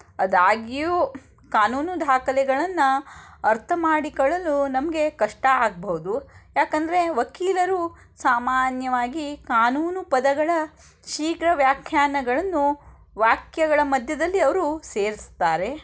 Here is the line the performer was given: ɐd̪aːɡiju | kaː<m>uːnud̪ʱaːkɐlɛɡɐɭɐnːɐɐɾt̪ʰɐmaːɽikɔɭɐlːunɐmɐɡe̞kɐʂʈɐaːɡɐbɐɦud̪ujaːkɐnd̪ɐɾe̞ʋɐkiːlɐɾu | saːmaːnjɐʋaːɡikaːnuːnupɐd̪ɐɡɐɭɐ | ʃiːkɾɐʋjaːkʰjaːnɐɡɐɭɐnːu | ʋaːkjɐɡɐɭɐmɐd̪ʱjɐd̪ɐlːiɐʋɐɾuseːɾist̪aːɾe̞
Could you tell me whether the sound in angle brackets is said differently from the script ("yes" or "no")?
yes